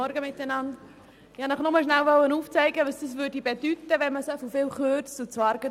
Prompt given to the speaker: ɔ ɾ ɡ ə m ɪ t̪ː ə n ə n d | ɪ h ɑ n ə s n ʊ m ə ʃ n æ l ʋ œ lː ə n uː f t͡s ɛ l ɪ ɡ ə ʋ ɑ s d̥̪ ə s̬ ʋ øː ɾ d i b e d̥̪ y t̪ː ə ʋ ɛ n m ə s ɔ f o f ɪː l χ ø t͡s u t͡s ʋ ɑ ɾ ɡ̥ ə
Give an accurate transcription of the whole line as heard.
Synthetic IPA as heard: ɔ ɾ ɡ ə m ɪ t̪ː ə n ɑ n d | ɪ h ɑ n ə χ n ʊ m ə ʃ n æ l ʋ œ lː ə n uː f t͡s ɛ ɪ ɡ ə ʋ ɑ s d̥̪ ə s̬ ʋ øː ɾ d i b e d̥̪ y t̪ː ə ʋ ɛ n m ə s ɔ f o f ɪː l χ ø t͡s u t͡s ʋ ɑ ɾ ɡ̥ ə